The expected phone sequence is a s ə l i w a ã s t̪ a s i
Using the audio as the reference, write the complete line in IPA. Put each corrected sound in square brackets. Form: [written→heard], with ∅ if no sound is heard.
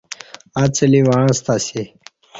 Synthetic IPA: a [s→t͡s] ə l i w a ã s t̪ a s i